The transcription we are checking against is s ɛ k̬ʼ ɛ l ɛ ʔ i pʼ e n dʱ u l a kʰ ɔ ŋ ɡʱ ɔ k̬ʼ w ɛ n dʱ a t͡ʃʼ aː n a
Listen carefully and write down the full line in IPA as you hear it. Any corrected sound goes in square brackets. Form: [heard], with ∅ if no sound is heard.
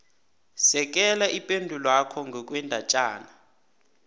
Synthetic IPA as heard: s ɛ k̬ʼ ɛ l [a] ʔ i pʼ e n dʱ u l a kʰ ɔ ŋ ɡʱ ɔ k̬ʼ w ɛ n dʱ a t͡ʃʼ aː n a